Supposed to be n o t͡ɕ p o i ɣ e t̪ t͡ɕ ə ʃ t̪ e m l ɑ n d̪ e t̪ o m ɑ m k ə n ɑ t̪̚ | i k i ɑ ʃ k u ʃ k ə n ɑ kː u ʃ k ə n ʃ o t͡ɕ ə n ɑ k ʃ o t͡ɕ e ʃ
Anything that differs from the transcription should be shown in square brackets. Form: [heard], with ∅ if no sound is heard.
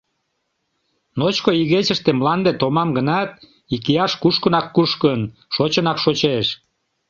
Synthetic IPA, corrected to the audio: n o t͡ɕ [k] o i ɣ e [∅] t͡ɕ ə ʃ t̪ e m l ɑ n d̪ e t̪ o m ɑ m [ɡ] ə n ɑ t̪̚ | i k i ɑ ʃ k u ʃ k ə n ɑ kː u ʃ k ə n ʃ o t͡ɕ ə n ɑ k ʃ o t͡ɕ e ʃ

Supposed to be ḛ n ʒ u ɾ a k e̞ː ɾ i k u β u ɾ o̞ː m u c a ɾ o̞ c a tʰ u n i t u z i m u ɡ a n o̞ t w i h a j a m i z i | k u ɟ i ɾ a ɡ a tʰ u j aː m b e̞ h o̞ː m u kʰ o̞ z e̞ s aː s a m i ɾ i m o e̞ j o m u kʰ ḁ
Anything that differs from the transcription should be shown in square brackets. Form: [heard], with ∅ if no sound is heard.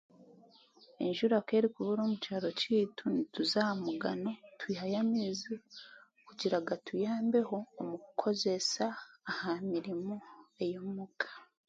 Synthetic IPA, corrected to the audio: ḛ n ʒ u ɾ a k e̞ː ɾ i k u β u ɾ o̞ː m u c a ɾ o̞ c [i] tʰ u n i t u z [a] m u ɡ a n o̞ t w i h a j a m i z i | k u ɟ i ɾ a ɡ a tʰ u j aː m b e̞ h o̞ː m u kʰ o̞ z e̞ s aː [h] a m i ɾ i m o e̞ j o m u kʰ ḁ

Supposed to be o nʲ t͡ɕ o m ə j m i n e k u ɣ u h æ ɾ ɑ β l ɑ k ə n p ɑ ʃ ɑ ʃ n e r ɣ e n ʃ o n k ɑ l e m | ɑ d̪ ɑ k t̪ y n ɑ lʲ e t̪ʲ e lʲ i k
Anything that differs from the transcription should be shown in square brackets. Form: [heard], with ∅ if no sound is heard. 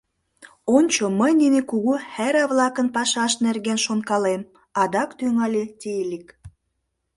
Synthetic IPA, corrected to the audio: o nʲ t͡ɕ o m ə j [n] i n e k u ɣ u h æ ɾ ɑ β l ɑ k ə n p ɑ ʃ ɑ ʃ n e r ɣ e n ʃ o n k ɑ l e m | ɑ d̪ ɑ k t̪ y [ŋ] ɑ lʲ e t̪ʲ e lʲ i k

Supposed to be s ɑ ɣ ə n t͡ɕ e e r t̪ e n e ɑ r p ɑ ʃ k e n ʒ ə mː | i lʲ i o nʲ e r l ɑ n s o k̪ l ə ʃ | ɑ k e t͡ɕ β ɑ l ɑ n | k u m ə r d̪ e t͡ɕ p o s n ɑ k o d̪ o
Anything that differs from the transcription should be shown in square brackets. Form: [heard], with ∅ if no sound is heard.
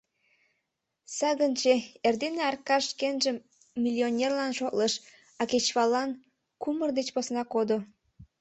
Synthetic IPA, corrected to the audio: s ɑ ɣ ə n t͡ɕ e e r [d̪] e n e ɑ r [k] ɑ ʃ k e n ʒ ə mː | i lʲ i o nʲ e r l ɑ n [ʃ] o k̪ l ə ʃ | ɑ k e t͡ɕ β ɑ l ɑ n | k u m ə r d̪ e t͡ɕ p o s n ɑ k o d̪ o

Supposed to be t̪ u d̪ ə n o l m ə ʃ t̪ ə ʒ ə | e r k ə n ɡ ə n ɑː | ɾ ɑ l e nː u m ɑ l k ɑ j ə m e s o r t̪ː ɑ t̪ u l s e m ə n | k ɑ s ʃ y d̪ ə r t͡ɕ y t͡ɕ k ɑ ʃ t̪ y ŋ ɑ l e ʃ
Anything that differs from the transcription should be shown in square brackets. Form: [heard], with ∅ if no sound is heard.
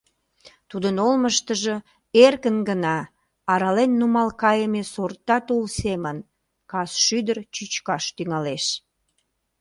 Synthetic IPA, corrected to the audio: t̪ u d̪ ə n o l m ə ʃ t̪ ə ʒ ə | e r k ə n ɡ ə n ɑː | ɾ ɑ l e nː u m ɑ l k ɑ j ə m e s o r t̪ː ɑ t̪ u l s e m ə n | k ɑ s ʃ y d̪ ə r t͡ɕ y t͡ɕ k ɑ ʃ t̪ y ŋ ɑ l e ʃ

